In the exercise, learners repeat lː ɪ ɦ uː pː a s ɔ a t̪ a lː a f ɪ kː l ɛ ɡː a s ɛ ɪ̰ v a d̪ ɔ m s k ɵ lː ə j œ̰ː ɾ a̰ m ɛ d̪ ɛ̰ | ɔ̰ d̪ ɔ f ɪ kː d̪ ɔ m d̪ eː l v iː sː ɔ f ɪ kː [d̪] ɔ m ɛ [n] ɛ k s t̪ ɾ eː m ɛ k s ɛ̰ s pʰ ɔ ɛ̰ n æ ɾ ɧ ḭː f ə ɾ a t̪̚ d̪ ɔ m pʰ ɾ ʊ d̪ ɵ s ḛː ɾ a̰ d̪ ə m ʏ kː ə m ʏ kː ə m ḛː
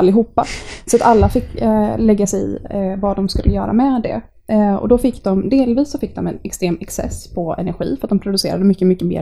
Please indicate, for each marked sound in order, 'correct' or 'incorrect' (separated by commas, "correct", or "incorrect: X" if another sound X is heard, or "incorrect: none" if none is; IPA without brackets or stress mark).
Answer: correct, correct